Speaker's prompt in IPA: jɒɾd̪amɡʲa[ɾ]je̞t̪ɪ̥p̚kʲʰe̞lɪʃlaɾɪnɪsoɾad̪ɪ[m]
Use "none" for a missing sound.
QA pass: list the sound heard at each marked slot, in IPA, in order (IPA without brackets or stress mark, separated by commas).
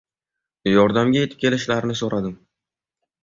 none, m